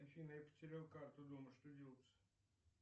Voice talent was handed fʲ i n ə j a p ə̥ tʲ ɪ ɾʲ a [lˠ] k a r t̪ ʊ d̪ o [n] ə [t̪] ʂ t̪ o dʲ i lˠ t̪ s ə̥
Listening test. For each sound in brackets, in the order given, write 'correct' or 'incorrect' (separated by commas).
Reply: correct, incorrect, incorrect